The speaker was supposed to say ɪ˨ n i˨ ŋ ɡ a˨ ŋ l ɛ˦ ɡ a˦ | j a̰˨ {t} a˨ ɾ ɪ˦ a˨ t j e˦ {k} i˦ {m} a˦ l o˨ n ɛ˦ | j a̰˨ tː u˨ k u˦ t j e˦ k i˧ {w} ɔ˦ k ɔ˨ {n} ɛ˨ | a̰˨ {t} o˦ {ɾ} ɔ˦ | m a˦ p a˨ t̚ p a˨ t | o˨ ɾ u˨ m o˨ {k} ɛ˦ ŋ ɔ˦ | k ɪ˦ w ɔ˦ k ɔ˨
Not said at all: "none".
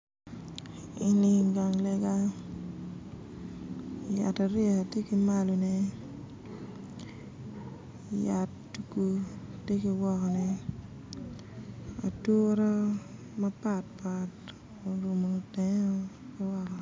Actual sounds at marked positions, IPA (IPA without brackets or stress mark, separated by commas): t, k, m, w, n, t, ɾ, t